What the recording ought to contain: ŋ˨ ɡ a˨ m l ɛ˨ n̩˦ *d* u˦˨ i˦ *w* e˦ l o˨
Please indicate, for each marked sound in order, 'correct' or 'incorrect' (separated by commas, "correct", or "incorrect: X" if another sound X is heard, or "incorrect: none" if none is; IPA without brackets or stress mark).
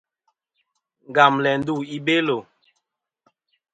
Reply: correct, incorrect: b